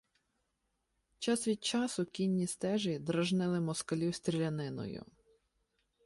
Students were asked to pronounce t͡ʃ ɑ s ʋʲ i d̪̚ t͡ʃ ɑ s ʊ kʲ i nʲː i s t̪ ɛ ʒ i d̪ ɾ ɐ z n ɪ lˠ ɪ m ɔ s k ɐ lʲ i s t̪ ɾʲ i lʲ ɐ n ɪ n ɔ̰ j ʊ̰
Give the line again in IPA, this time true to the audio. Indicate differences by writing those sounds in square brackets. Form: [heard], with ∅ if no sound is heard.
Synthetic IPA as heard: t͡ʃ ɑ s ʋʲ i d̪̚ t͡ʃ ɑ s ʊ kʲ i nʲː i s t̪ ɛ ʒ i d̪ ɾ ɐ [ʒ] n ɪ lˠ ɪ m ɔ s k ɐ lʲ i s t̪ ɾʲ i lʲ ɐ n ɪ n ɔ̰ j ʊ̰

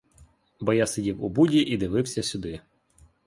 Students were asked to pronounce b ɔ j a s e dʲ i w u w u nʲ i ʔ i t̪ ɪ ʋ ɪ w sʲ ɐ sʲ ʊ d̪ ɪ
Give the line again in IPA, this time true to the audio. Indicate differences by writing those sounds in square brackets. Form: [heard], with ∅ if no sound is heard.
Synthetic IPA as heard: b ɔ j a s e dʲ i w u [b] u [dʲ] i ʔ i [d̪] ɪ ʋ ɪ w sʲ ɐ sʲ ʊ d̪ ɪ

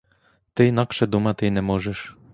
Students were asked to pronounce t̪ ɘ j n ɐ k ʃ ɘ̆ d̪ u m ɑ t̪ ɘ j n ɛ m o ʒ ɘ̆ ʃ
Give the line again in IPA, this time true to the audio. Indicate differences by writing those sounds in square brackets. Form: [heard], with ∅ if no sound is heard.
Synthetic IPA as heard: t̪ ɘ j n [ɑ] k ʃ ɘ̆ d̪ u m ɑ t̪ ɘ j n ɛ m o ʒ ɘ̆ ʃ

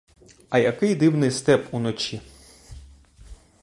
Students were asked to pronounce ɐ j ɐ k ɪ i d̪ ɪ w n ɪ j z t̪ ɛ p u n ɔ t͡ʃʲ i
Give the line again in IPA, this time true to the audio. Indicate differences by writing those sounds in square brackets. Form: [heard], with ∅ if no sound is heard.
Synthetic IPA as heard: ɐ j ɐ k ɪ [j] d̪ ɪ w n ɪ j [s] t̪ ɛ p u n ɔ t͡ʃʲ i

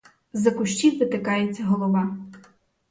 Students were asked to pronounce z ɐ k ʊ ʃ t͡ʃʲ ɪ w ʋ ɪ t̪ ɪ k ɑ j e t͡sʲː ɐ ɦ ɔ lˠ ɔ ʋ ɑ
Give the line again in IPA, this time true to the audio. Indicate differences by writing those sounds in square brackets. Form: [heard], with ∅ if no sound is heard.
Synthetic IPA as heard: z ɐ k ʊ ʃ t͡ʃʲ [i] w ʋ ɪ t̪ ɪ k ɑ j e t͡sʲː ɐ ɦ ɔ lˠ ɔ ʋ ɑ

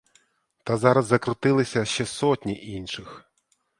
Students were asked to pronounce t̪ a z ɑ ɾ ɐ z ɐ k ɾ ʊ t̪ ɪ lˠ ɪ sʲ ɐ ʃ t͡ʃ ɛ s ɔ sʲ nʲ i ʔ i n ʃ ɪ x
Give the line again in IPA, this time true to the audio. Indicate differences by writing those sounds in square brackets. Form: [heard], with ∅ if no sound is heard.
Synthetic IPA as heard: t̪ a z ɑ ɾ ɐ [zː] ɐ k ɾ ʊ t̪ ɪ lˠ ɪ sʲ ɐ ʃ t͡ʃ ɛ s ɔ [tʲ] nʲ i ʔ i n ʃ ɪ x

